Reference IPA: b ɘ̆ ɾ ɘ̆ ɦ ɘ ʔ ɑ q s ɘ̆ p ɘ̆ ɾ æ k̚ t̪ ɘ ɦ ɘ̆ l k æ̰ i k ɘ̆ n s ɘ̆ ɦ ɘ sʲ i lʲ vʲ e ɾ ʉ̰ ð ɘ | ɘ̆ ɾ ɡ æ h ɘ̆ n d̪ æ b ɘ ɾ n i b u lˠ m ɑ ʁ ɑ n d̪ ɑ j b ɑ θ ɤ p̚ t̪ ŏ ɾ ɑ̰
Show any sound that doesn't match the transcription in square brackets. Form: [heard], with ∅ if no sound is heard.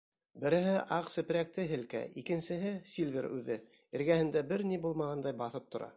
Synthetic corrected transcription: b ɘ̆ ɾ ɘ̆ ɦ ɘ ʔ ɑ q s ɘ̆ p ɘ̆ ɾ æ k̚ t̪ ɘ ɦ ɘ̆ l k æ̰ i k ɘ̆ n s ɘ̆ ɦ ɘ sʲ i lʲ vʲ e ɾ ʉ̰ ð ɘ | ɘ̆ ɾ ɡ æ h ɘ̆ n d̪ æ b ɘ ɾ n i b u lˠ m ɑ ʁ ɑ n d̪ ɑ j b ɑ θ ɤ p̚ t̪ ŏ ɾ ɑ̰